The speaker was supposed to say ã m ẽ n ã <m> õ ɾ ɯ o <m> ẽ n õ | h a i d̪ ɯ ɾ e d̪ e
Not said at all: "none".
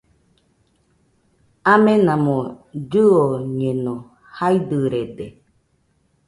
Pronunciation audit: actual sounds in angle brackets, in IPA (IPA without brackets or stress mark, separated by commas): m, ɲ